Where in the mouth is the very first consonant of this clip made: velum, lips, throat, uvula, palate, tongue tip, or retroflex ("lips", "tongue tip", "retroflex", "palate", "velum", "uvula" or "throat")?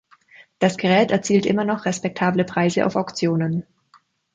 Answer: tongue tip